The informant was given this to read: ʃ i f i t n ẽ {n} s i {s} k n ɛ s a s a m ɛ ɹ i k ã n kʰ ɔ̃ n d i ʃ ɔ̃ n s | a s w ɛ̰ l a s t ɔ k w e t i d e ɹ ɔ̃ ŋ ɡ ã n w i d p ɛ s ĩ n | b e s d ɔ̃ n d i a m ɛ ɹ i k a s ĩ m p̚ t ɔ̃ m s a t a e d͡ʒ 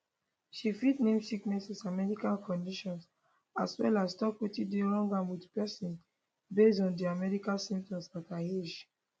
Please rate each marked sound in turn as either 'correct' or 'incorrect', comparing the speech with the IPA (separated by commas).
incorrect, incorrect